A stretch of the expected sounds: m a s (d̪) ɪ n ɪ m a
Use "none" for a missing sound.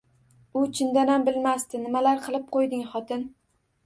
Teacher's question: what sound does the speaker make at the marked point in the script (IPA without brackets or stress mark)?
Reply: t̪